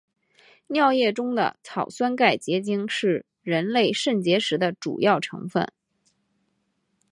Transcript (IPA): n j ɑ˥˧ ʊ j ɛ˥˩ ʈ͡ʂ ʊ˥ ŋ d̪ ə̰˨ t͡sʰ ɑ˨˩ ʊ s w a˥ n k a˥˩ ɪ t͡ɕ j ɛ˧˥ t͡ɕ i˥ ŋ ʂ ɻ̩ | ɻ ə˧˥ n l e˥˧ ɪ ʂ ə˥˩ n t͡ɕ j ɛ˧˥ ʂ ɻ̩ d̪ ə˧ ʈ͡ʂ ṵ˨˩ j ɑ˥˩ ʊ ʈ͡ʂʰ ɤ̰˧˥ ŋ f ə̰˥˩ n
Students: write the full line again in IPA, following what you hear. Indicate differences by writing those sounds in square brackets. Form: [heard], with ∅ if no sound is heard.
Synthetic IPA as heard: n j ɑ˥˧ ʊ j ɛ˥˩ ʈ͡ʂ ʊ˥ ŋ d̪ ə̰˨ t͡sʰ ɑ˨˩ ʊ s w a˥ n k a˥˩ ɪ t͡ɕ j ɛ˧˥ t͡ɕ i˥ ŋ ʂ ɻ̩ | ɻ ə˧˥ n l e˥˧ ɪ ʂ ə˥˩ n t͡ɕ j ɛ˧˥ ʂ ɻ̩ d̪ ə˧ ʈ͡ʂ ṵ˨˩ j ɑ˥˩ ʊ ʈ͡ʂʰ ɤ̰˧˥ ŋ f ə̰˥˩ n